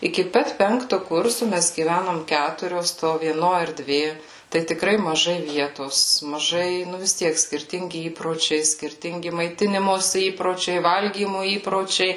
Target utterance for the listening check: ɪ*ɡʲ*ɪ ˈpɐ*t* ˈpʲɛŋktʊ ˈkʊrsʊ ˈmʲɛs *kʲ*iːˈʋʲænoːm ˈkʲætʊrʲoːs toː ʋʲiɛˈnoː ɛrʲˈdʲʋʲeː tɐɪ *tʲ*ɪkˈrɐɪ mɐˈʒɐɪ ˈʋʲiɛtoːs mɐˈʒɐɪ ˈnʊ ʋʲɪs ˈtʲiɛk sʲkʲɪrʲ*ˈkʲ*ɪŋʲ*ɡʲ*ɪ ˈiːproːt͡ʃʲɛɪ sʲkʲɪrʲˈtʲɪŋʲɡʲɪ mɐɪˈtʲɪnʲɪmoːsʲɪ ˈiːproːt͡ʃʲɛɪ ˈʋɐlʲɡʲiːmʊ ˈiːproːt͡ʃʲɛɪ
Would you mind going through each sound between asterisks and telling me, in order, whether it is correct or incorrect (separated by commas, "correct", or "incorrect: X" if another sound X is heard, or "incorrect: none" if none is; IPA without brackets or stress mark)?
incorrect: kʲ, correct, incorrect: ɡʲ, correct, incorrect: tʲ, correct